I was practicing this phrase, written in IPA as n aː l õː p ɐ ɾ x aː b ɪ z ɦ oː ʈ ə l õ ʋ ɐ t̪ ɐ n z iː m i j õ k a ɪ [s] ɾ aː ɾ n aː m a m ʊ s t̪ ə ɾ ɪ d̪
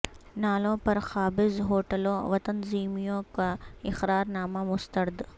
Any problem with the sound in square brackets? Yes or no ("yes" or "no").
yes